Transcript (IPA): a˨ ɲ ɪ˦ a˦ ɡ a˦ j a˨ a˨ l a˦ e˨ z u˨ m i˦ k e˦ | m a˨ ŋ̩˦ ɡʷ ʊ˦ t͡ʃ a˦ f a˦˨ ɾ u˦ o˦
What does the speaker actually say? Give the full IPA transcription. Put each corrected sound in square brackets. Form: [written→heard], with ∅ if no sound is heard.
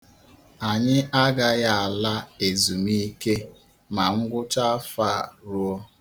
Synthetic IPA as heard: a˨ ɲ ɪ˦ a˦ ɡ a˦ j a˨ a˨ l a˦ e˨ z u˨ m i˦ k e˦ | m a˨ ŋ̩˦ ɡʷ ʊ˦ t͡ʃ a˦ f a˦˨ ɾ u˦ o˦